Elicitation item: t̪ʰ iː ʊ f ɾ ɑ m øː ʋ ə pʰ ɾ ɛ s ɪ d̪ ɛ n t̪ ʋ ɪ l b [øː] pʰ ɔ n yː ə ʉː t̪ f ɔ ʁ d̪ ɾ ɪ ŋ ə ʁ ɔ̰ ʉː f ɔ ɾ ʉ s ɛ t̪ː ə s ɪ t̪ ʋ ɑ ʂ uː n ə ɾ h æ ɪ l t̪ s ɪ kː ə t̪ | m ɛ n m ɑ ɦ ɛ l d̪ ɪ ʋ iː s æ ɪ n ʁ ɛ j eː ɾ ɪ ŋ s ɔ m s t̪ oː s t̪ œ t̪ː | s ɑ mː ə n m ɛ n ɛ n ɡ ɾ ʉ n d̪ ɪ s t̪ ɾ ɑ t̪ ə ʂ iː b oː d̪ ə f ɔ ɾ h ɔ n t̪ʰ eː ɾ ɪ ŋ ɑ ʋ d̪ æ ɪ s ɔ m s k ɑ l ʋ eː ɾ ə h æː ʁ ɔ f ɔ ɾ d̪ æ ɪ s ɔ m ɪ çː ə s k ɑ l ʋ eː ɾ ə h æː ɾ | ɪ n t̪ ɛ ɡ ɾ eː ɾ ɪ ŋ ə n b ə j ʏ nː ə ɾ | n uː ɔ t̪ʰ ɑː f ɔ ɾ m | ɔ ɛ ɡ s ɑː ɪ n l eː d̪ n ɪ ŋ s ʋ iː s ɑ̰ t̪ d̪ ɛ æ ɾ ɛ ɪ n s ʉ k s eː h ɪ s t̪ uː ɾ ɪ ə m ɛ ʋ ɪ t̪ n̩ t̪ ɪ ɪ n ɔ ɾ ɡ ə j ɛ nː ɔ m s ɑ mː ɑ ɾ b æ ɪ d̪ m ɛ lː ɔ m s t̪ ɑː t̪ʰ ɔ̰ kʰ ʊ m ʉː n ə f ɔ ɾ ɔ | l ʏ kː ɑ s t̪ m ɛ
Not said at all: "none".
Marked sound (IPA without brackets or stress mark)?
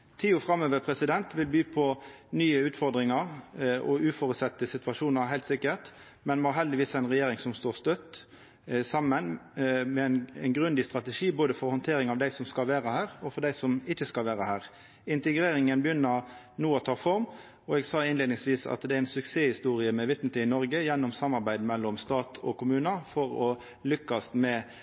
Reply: yː